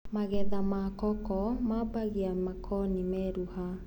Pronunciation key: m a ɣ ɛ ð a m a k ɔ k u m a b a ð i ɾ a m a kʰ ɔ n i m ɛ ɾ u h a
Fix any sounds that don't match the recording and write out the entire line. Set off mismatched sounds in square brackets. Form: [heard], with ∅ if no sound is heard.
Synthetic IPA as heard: m a ɣ ɛ ð a m a k ɔ k [ɔ] m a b a [ɣ] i [∅] a m a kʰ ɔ n i m ɛ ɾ u h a